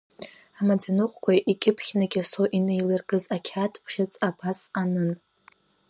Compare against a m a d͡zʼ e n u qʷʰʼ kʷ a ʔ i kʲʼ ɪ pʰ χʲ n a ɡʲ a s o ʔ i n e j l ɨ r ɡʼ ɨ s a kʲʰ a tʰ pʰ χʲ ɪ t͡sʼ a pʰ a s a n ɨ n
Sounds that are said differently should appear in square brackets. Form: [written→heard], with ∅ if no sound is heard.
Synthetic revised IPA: a m a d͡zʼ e n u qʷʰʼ kʷ a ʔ i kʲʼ ɪ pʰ χʲ n a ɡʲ a s o ʔ i n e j l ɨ r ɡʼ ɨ [s→z] a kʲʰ a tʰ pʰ χʲ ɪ t͡sʼ a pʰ a s a n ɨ n